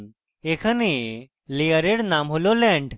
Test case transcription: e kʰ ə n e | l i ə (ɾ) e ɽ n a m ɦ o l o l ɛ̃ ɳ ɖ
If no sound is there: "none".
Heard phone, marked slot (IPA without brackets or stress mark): ɾ